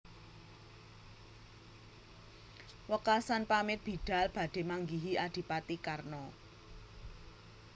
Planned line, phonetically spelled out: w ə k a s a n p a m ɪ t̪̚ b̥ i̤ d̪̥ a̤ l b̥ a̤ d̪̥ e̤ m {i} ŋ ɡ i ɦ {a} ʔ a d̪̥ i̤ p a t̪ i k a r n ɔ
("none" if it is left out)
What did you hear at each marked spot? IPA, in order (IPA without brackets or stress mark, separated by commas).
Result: a, i